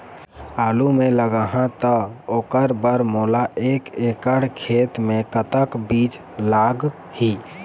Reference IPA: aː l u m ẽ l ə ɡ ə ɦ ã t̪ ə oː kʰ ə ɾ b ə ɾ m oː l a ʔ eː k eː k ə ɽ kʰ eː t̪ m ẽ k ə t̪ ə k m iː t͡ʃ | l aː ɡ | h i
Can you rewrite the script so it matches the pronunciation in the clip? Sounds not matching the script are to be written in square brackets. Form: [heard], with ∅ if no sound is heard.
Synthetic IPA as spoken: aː l u m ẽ l ə ɡ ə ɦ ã t̪ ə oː [k] ə ɾ b ə ɾ m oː l a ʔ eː k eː k ə ɽ kʰ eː t̪ m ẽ k ə t̪ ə k [b] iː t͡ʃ | l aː ɡ | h i